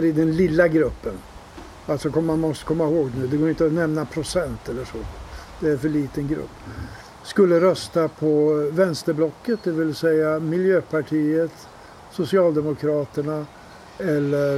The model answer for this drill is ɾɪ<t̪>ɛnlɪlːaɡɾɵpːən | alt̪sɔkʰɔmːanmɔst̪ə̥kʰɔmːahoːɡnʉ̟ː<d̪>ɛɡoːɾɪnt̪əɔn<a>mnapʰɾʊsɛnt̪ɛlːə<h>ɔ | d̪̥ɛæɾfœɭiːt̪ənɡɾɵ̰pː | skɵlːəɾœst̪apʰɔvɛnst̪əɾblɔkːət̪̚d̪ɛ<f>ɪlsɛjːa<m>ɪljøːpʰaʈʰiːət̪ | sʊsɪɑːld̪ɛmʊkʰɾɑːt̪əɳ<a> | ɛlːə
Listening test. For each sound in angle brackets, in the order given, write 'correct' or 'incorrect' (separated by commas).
incorrect, correct, incorrect, incorrect, incorrect, correct, correct